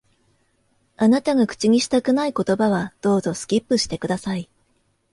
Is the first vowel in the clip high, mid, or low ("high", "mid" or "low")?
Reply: low